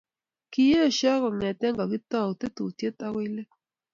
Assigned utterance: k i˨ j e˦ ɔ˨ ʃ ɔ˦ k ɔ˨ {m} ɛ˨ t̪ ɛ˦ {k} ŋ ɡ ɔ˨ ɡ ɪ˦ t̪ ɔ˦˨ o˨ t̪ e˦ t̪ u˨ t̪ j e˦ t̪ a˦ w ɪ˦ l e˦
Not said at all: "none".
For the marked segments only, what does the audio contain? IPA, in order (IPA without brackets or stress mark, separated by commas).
ŋ, none